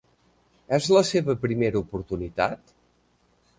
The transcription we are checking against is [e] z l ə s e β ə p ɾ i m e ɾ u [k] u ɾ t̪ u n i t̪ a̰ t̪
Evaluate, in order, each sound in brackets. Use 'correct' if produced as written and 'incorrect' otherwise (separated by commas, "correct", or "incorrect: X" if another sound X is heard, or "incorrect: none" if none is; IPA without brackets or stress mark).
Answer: incorrect: ɛ, incorrect: p